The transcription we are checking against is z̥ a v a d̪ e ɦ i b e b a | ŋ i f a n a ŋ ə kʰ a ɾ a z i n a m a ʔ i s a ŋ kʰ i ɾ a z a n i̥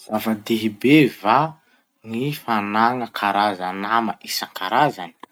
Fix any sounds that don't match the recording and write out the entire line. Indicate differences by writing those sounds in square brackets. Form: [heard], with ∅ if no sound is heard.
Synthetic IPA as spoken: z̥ a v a d̪ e ɦ i b e [v] a | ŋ i f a n a ŋ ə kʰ a ɾ a z [a] n a m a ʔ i s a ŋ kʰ [a] ɾ a z a n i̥